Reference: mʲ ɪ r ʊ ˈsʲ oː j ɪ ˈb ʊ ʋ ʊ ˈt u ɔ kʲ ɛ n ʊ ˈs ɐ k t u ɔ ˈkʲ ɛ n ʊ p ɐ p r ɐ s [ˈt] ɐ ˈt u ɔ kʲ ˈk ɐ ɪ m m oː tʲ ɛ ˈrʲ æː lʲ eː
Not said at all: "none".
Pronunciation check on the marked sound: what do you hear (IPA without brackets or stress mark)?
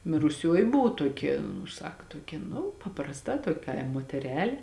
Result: t